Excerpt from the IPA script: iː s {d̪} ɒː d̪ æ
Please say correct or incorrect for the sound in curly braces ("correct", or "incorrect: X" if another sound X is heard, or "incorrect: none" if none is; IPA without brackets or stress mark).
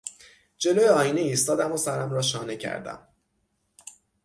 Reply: incorrect: t̪